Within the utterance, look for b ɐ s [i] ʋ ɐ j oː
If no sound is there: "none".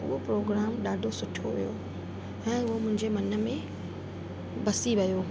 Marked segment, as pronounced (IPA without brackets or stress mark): i